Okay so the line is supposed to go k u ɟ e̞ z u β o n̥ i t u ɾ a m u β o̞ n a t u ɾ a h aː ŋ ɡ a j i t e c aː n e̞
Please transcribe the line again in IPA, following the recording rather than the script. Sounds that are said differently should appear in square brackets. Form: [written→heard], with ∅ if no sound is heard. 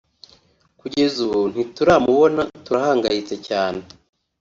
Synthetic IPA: k u ɟ e̞ z u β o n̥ i t u ɾ a m u β o̞ n a t u ɾ a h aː ŋ ɡ a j i [t→t͡s] e c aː n e̞